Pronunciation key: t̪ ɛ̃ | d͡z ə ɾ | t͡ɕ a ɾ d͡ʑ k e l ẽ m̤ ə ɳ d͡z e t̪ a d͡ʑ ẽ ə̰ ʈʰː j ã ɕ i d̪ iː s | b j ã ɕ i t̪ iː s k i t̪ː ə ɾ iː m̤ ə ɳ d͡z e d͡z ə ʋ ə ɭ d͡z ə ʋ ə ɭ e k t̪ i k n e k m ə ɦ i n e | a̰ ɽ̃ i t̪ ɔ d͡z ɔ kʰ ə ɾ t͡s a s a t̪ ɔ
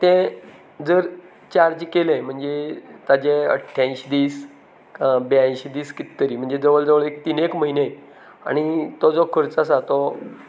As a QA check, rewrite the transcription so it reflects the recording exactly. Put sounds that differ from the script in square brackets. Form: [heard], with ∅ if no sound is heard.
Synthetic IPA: t̪ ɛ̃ | d͡z ə ɾ | t͡ɕ a ɾ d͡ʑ k e l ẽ m̤ ə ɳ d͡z e t̪ a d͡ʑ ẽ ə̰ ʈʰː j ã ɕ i d̪ iː s | b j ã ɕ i [d̪] iː s k i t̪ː ə ɾ iː m̤ ə ɳ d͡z e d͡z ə ʋ ə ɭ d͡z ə ʋ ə ɭ e k t̪ i [∅] n e k m ə ɦ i n e | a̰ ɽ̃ i t̪ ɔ d͡z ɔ kʰ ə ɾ t͡s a s a t̪ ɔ